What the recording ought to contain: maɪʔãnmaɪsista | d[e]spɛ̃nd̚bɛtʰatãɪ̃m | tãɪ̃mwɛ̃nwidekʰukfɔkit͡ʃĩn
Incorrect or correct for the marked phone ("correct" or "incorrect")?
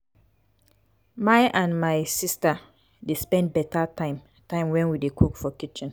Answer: correct